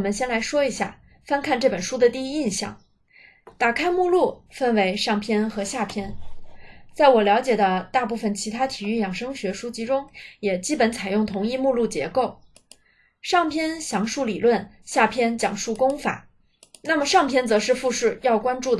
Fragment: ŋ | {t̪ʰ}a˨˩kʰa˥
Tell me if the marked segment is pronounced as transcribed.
no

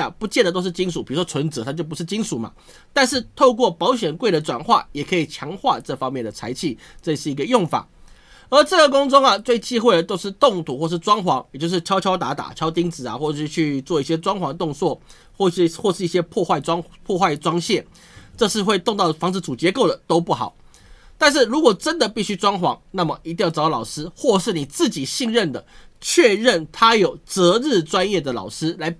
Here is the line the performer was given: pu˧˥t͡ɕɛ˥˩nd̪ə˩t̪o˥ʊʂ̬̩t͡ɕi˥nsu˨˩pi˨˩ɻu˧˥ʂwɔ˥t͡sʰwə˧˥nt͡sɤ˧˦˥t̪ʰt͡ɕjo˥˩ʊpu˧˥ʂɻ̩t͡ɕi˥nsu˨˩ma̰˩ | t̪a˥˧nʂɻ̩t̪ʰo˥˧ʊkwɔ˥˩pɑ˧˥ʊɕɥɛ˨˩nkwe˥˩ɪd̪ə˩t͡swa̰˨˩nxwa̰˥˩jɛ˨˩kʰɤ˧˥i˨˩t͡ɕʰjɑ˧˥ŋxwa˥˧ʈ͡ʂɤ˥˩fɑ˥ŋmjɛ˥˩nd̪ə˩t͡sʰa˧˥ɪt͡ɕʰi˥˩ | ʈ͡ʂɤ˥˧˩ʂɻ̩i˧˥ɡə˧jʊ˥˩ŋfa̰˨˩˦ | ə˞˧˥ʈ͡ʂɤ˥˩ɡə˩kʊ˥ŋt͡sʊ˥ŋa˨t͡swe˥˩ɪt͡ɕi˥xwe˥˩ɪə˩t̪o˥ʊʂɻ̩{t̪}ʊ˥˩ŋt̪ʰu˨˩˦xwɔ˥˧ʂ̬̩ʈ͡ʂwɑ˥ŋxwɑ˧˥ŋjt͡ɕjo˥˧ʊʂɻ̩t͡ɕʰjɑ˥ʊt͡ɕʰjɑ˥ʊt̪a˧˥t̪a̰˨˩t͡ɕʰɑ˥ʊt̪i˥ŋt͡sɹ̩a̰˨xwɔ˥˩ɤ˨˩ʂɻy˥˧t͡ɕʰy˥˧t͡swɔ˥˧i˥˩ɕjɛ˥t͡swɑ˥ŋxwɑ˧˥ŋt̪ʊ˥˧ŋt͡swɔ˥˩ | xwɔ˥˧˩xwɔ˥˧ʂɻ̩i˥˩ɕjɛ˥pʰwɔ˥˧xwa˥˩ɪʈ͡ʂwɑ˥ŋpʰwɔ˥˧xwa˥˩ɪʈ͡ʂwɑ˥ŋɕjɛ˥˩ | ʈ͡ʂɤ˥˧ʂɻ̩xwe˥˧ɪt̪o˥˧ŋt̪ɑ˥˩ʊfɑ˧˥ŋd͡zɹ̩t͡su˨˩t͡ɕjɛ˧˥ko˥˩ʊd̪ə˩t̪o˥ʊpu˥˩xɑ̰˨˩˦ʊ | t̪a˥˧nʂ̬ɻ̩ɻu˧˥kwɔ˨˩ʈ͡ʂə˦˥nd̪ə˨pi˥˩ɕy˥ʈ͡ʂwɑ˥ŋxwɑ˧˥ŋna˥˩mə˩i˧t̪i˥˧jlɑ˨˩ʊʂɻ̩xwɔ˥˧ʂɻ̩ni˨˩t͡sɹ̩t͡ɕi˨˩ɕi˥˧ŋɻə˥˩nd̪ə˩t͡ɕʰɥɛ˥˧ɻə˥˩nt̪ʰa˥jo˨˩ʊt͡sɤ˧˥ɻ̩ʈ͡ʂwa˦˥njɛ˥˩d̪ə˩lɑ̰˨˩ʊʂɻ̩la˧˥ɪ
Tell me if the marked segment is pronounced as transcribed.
yes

